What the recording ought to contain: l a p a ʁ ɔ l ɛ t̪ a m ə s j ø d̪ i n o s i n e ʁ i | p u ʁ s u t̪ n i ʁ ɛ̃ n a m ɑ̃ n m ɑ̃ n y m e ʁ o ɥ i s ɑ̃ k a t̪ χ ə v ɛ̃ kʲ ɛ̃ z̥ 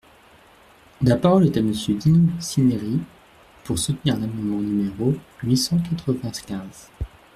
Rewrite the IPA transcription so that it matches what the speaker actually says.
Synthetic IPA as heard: l a p a ʁ ɔ l ɛ t̪ a m ə s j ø d̪ i n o s i n e ʁ i | p u ʁ s u t̪ n i ʁ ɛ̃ n a m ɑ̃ n m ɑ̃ n y m e ʁ o ɥ i s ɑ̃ k a t̪ χ ə v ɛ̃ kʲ ɛ̃ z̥